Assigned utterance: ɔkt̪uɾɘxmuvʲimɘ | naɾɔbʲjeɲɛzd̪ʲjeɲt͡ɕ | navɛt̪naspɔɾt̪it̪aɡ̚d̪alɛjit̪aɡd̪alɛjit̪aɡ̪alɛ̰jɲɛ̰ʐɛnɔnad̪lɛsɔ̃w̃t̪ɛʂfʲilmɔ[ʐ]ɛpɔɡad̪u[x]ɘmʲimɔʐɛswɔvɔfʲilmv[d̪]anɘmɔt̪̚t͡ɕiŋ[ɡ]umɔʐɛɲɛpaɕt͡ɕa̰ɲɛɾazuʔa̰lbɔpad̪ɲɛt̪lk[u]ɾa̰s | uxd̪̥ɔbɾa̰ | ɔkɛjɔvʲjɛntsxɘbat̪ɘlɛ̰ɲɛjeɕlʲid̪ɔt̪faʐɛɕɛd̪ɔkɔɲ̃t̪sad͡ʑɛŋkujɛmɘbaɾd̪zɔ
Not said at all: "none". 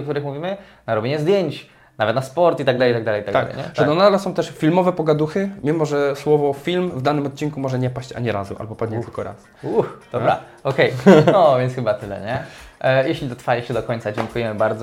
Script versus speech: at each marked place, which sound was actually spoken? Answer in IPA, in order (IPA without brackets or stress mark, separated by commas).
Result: v, x, d̪, k, ɔ